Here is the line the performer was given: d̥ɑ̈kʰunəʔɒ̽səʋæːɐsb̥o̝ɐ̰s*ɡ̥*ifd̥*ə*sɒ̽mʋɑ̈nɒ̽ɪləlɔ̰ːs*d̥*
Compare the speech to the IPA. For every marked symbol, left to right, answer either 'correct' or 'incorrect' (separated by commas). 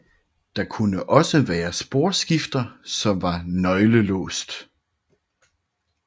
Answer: correct, incorrect, correct